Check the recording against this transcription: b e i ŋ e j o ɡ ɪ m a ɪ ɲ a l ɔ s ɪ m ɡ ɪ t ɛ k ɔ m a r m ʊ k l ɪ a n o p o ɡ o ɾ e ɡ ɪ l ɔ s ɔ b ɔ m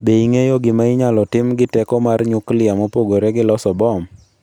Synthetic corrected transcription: b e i ŋ e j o ɡ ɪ m a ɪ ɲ a l ɔ t ɪ m ɡ ɪ t ɛ k ɔ m a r ɲ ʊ k l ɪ a m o p o ɡ o ɾ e ɡ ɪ l ɔ s ɔ b ɔ m